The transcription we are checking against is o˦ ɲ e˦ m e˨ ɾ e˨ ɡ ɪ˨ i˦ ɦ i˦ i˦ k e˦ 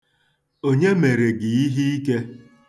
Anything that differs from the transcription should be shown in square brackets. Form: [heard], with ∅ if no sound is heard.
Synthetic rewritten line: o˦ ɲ e˦ m e˨ ɾ e˨ ɡ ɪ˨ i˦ ɦ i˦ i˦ k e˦